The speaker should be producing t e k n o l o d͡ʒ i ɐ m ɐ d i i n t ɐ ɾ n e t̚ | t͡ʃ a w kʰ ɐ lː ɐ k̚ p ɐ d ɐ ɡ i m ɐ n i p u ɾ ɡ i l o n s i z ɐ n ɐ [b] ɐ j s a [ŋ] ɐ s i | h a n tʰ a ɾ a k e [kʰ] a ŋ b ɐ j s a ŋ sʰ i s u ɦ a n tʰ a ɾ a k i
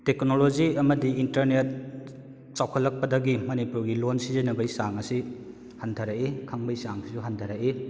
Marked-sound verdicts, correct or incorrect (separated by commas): correct, correct, correct